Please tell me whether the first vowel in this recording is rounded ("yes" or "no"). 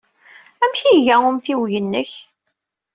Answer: no